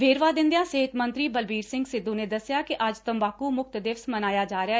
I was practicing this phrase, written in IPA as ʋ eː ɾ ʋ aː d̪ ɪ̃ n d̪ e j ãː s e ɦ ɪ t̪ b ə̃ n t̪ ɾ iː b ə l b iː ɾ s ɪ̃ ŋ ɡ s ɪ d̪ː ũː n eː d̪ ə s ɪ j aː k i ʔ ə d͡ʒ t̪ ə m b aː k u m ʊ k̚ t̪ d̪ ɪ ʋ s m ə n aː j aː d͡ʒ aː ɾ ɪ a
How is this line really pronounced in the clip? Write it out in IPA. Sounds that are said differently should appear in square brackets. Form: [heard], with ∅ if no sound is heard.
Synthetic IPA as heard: ʋ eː ɾ ʋ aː d̪ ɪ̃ n d̪ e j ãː s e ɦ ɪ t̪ [m] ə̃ n t̪ ɾ iː b ə l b iː ɾ s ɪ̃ ŋ ɡ s ɪ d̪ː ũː n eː d̪ ə s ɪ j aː k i ʔ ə d͡ʒ t̪ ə m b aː k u m ʊ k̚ t̪ d̪ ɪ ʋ s m ə n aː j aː d͡ʒ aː ɾ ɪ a